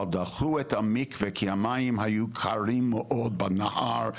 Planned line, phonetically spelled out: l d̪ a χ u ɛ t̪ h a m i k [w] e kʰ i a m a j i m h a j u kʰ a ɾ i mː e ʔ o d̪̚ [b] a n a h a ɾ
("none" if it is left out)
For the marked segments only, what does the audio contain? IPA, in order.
v, b

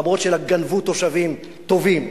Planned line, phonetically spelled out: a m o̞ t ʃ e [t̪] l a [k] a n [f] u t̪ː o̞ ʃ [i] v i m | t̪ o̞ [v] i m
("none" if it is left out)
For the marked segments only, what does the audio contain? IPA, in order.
none, ɡ, v, a, v

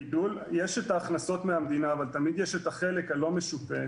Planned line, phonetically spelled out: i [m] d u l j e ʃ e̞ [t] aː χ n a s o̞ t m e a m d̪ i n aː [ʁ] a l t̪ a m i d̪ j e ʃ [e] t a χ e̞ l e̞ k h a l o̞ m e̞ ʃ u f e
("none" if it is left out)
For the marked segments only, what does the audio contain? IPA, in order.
none, t, v, e

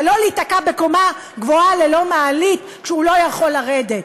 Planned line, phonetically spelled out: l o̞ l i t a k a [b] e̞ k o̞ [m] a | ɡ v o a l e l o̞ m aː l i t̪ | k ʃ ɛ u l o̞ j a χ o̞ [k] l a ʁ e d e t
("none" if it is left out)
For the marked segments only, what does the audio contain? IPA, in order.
b, m, none

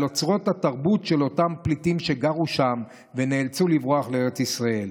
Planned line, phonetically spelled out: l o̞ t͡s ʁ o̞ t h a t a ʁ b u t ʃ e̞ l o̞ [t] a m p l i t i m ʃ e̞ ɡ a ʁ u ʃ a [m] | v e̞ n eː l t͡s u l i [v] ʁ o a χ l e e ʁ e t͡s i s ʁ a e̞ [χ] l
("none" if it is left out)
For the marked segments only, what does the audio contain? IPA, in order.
t, m, v, none

